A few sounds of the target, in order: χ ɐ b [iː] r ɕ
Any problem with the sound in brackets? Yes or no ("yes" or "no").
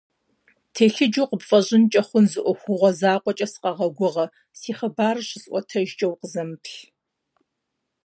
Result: yes